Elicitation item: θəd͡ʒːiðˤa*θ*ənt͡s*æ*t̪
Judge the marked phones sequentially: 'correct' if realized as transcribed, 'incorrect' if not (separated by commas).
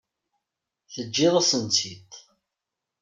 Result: incorrect, incorrect